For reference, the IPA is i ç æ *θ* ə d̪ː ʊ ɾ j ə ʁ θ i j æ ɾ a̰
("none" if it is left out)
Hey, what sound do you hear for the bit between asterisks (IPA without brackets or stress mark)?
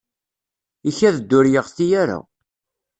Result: ð